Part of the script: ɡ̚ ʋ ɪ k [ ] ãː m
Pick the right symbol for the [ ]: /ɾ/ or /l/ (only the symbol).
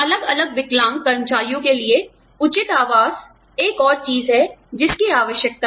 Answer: l